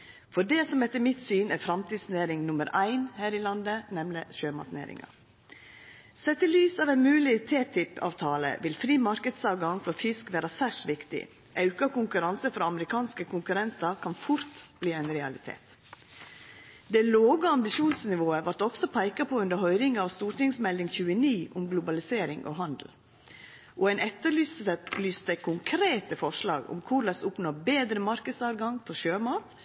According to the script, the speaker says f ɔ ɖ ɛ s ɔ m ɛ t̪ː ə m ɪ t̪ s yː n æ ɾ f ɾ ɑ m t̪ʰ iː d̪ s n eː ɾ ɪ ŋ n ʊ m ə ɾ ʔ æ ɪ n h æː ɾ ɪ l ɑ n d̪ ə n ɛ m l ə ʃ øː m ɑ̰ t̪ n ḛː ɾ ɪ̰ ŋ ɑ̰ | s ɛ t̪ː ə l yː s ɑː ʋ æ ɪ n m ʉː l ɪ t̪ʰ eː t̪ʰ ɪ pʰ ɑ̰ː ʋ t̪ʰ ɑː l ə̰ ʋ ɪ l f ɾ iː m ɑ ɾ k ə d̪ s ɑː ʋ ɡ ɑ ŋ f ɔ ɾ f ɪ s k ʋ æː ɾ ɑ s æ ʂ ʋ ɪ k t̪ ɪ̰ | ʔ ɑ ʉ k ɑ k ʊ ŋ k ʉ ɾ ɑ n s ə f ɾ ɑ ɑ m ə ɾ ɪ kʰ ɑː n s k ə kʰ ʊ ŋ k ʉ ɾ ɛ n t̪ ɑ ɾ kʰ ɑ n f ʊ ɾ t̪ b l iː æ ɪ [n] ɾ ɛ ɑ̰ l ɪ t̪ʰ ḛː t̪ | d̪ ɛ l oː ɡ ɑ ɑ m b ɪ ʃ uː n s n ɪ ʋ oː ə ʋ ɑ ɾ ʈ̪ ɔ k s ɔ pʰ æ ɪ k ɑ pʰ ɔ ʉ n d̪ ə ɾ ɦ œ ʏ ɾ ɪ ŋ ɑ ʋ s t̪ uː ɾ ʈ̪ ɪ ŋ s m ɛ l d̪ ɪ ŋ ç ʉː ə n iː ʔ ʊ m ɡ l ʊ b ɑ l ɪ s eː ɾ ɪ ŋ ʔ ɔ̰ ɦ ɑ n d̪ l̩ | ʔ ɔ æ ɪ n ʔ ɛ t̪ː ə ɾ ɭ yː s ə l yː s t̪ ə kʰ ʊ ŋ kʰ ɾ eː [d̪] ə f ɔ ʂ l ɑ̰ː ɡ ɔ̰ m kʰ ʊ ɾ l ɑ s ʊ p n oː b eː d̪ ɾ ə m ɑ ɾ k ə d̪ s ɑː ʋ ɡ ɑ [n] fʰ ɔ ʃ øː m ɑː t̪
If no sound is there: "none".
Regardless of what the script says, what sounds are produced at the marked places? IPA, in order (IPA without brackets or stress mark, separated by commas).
n, t̪, ŋ